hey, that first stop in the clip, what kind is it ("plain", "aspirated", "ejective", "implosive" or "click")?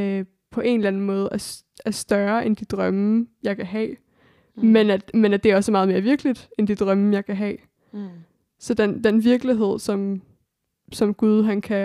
aspirated